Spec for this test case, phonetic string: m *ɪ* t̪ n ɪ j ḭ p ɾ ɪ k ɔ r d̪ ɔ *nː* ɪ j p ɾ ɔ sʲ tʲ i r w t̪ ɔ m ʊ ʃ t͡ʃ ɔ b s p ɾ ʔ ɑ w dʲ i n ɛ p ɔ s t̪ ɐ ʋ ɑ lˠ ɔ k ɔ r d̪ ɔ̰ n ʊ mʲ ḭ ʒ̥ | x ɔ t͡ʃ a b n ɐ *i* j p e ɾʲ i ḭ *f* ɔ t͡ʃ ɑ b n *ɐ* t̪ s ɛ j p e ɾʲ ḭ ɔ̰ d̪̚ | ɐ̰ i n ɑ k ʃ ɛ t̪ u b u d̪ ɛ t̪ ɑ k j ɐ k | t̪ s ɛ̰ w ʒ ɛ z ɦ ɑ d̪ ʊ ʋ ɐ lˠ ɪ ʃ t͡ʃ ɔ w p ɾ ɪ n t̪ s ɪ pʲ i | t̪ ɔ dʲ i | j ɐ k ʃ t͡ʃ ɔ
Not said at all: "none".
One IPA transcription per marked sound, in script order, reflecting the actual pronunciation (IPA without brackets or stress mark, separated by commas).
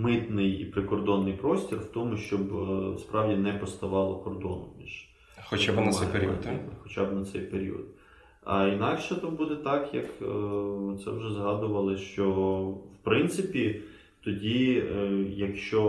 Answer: ɪ, nː, ɛ, x, ɐ